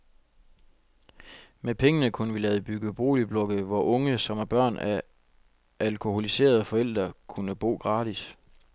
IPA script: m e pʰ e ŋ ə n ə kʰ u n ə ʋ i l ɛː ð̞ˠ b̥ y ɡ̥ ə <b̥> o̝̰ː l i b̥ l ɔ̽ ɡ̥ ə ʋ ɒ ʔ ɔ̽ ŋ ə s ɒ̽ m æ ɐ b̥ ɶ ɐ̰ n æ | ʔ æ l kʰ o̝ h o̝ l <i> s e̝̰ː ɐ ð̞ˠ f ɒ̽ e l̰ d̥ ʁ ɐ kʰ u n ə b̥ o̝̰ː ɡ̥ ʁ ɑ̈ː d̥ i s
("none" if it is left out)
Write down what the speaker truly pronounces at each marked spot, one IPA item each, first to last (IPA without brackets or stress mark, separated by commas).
b̥, i